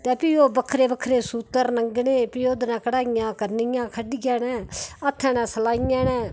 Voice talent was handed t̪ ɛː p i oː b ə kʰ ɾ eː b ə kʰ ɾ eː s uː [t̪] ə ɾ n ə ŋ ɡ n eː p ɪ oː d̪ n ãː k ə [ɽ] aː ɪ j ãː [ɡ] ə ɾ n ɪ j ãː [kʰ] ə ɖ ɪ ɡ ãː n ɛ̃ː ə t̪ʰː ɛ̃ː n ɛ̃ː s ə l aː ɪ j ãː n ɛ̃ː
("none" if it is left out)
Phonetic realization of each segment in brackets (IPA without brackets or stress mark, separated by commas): t̪, ɽ, k, kʰ